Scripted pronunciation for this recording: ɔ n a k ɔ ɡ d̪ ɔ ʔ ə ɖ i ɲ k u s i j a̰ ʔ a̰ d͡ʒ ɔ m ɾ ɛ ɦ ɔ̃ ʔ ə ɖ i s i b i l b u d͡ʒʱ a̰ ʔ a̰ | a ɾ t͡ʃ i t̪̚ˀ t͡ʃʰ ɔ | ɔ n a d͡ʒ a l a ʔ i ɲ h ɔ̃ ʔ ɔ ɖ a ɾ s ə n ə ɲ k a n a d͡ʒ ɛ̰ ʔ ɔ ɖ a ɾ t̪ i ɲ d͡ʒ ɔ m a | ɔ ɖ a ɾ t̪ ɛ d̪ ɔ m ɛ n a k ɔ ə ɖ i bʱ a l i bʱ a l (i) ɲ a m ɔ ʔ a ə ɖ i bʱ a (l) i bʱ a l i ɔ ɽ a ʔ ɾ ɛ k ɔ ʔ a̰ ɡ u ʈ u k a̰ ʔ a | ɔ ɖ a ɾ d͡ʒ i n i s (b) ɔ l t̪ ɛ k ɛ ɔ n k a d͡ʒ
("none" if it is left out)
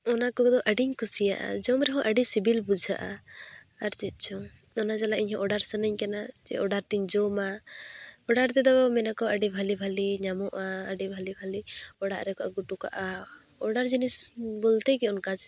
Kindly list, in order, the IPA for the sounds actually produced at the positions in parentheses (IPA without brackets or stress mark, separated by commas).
i, l, b